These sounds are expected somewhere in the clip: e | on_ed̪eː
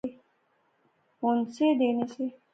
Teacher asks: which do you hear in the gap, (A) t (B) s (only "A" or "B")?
B